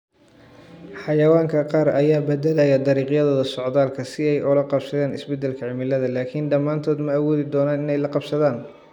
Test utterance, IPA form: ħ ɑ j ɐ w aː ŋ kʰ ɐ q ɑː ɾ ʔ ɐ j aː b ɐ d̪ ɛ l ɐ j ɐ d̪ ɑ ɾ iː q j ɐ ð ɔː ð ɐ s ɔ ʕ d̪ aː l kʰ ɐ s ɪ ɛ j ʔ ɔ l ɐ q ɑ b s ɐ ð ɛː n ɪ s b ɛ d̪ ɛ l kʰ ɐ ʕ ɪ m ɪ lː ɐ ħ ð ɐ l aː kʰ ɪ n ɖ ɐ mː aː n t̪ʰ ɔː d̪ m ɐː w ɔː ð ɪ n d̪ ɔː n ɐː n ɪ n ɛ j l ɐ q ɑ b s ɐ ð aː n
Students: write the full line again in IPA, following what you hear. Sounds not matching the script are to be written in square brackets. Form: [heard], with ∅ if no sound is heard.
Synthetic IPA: ħ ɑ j ɐ w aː ŋ kʰ ɐ q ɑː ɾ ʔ ɐ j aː b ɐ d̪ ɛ l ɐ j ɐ d̪ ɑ ɾ iː q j ɐ ð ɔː ð ɐ s ɔ ʕ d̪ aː l kʰ ɐ s ɪ ɛ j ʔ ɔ l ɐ q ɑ b s ɐ ð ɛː n ɪ s b ɛ d̪ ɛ l kʰ ɐ ʕ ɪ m ɪ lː ɐ [∅] ð ɐ l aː kʰ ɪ n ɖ ɐ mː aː n t̪ʰ ɔː d̪ m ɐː w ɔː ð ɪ [∅] d̪ ɔː n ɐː n ɪ n ɛ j l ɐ q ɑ b s ɐ ð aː n